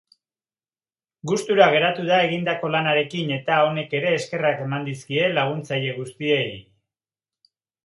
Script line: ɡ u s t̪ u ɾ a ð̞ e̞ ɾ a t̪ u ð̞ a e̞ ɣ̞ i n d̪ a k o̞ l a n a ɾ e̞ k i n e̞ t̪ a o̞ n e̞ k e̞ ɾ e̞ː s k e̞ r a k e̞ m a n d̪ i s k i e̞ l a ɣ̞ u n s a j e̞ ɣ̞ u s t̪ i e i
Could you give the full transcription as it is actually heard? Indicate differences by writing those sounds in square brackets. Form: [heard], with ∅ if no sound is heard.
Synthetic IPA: ɡ u s t̪ u ɾ a [ɣ̞] e̞ ɾ a t̪ u ð̞ a e̞ ɣ̞ i n d̪ a k o̞ l a n a ɾ e̞ k i n e̞ t̪ a o̞ n e̞ k e̞ ɾ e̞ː s k e̞ r a k e̞ m a n d̪ i s k i e̞ l a ɣ̞ u n [t͡s] a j e̞ ɣ̞ u s t̪ i e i